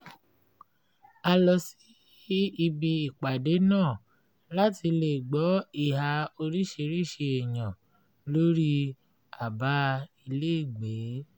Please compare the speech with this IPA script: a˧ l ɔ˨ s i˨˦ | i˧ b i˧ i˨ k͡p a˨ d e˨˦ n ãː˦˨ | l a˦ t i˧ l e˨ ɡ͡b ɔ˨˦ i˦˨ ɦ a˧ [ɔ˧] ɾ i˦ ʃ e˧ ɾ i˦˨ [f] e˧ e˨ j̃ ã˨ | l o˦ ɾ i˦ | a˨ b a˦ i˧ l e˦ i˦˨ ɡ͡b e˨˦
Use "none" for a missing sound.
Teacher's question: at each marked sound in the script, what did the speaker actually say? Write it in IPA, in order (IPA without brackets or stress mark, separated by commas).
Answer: o˧, ʃ